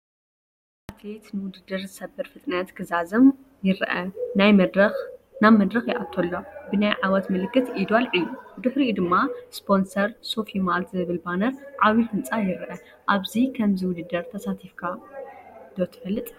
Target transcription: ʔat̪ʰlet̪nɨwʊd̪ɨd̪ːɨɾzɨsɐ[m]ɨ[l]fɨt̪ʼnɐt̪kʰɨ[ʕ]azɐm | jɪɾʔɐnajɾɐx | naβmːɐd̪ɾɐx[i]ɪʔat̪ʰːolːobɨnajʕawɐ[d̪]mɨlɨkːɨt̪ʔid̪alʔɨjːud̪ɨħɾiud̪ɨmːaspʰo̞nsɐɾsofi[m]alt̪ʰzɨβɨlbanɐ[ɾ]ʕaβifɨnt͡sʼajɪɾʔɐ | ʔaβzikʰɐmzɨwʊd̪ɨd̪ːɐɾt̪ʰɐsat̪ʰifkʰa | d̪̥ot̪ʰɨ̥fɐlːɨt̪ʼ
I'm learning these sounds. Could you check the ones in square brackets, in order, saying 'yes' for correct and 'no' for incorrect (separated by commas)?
no, no, no, no, no, yes, yes